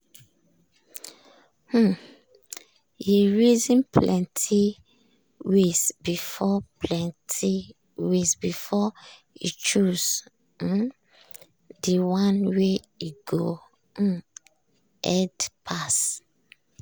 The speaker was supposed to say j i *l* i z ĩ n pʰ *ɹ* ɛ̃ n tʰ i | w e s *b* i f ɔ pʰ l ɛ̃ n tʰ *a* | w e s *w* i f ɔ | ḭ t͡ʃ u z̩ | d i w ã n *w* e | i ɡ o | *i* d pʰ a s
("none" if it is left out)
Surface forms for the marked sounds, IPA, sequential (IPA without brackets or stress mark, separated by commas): ɹ, l, b, i, b, w, ɛ